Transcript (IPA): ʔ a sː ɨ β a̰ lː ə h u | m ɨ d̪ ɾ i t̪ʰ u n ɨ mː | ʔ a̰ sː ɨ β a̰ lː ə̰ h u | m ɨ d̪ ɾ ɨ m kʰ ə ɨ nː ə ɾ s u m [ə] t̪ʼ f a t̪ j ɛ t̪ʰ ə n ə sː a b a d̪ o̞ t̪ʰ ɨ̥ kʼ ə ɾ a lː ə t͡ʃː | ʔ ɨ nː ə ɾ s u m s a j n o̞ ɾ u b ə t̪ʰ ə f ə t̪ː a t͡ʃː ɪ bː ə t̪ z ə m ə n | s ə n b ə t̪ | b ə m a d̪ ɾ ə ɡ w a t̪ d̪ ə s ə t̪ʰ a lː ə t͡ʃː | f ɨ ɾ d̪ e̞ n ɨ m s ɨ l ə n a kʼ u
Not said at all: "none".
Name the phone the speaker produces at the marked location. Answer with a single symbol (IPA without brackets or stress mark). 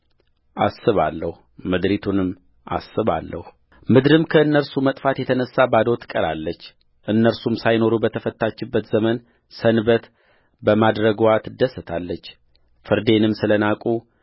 ə